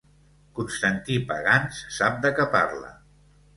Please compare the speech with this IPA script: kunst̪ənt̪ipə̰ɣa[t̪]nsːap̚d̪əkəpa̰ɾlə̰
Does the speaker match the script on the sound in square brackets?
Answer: no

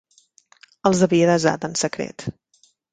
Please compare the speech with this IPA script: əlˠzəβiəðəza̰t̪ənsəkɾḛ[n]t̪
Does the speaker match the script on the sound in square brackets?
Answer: no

